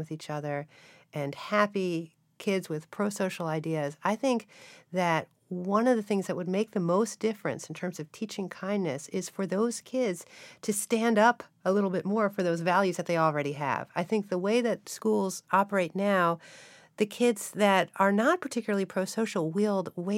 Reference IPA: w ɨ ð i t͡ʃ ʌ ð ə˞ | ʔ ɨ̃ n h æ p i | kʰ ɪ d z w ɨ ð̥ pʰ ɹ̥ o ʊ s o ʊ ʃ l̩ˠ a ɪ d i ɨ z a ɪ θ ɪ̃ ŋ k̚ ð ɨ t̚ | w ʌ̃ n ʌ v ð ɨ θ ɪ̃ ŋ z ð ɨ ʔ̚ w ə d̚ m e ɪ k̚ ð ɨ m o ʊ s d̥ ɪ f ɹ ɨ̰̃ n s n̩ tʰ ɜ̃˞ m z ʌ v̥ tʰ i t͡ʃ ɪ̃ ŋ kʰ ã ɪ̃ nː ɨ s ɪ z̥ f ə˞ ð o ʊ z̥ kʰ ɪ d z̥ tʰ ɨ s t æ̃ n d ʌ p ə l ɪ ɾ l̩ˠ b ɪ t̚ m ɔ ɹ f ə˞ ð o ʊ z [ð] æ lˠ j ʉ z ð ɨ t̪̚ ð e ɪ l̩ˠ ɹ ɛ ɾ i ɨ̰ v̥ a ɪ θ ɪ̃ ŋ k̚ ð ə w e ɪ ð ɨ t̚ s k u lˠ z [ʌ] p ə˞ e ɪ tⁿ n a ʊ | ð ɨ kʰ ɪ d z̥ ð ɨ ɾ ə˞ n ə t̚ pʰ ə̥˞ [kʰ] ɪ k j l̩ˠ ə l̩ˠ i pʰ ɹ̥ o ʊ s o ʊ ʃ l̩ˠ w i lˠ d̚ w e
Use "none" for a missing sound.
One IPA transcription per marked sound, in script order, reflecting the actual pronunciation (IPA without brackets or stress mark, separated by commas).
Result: v, ɑ, tʰ